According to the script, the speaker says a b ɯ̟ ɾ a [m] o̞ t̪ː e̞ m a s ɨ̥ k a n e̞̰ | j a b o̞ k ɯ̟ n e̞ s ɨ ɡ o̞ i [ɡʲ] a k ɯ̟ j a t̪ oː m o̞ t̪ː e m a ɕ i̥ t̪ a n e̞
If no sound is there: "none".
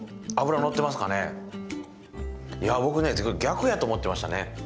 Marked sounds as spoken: n, ɡʲ

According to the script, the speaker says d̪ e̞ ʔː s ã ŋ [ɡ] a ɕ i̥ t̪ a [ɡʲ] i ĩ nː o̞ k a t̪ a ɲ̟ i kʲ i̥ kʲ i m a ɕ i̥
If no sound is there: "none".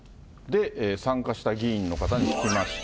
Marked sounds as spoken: k, ɡʲ

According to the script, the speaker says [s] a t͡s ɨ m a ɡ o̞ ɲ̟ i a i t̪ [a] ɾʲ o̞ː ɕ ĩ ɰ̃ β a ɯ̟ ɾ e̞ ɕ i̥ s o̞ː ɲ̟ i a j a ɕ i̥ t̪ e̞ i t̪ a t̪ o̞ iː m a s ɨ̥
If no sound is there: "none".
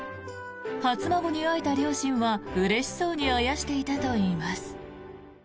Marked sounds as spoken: h, a

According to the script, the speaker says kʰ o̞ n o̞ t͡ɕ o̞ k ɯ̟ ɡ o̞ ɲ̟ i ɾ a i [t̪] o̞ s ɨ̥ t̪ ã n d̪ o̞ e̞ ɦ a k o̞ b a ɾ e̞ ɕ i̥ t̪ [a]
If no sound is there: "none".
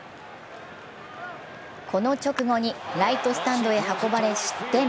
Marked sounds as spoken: t̪, e

